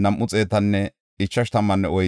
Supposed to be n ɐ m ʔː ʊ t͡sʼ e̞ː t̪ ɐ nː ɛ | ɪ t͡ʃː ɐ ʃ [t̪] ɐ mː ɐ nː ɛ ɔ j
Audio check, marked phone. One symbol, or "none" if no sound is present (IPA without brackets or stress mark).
t̪